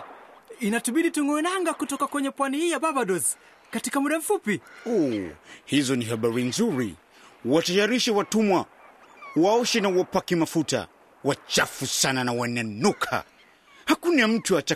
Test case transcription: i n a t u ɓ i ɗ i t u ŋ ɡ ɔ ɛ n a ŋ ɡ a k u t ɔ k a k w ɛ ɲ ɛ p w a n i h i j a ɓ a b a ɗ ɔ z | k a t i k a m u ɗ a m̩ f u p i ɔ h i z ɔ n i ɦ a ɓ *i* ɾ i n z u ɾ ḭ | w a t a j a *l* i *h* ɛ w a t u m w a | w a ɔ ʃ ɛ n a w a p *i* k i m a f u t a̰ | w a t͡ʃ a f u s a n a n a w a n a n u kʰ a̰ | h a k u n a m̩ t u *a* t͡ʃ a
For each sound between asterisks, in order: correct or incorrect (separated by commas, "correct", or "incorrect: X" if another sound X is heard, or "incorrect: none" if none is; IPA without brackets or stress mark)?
incorrect: a, incorrect: ɾ, incorrect: ʃ, incorrect: a, correct